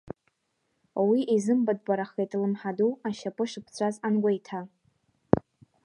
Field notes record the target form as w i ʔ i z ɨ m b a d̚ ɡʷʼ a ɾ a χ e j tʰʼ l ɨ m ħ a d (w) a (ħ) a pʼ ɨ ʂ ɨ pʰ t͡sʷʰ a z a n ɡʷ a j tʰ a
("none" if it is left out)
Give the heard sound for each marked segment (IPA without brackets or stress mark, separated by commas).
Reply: u, ʃ